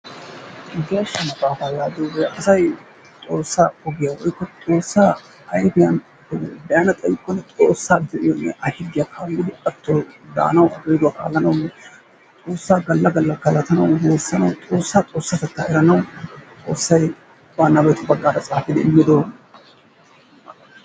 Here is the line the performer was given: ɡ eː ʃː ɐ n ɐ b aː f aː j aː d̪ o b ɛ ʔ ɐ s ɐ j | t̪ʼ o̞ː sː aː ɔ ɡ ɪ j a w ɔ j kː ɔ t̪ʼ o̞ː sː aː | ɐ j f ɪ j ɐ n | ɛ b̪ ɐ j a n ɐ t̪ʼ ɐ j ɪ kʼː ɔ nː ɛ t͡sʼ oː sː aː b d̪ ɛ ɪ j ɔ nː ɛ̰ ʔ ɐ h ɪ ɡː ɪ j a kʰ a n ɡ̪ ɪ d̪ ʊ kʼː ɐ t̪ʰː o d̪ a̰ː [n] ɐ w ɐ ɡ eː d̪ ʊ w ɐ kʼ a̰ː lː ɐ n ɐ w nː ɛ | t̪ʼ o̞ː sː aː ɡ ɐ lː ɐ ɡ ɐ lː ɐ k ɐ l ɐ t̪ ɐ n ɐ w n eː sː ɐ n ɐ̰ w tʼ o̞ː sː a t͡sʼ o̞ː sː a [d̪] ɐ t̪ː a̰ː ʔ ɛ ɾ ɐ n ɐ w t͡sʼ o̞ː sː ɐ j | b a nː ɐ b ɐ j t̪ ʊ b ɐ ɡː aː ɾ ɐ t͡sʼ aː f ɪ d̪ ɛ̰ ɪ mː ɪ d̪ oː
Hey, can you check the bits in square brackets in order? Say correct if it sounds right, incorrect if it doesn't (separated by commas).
correct, incorrect